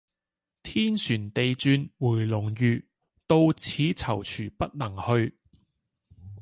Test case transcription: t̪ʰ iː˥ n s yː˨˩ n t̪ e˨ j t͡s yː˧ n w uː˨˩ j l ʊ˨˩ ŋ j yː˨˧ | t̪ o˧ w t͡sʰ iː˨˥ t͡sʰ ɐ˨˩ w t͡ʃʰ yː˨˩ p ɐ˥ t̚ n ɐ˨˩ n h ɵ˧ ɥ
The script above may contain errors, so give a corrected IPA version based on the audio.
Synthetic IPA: t̪ʰ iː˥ n s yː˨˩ n t̪ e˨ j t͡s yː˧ n w uː˨˩ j l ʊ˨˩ ŋ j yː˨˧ | t̪ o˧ w t͡sʰ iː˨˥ t͡sʰ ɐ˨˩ w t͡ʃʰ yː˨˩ p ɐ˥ t̚ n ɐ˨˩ ŋ h ɵ˧ ɥ